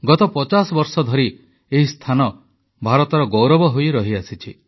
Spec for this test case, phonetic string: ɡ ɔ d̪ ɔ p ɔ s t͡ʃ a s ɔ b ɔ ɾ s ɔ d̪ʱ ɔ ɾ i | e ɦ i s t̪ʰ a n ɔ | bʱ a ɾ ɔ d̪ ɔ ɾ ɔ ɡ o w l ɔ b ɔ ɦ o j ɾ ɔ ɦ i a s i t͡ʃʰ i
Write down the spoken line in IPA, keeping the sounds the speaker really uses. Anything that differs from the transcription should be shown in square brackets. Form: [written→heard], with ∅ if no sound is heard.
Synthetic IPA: ɡ ɔ [d̪→t̪] ɔ p ɔ [s→∅] t͡ʃ a s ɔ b ɔ ɾ s ɔ d̪ʱ ɔ ɾ i | e ɦ i s t̪ʰ a n ɔ | bʱ a ɾ ɔ [d̪→t̪] ɔ ɾ ɔ ɡ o w [l→ɾ] ɔ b ɔ ɦ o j ɾ ɔ ɦ i a s i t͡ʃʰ i